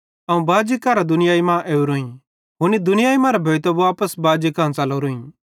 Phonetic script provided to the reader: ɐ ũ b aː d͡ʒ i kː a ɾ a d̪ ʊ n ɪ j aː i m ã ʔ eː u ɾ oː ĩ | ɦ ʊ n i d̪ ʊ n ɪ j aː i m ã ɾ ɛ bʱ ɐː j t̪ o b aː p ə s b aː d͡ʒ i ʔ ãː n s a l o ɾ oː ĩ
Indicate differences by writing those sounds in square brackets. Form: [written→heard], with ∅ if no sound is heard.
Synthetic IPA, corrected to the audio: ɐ ũ b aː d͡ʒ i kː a ɾ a d̪ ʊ n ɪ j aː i m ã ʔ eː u ɾ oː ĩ | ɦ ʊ n i d̪ ʊ n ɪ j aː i m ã ɾ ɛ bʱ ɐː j t̪ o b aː p ə s b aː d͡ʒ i [ʔ→k] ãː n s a l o ɾ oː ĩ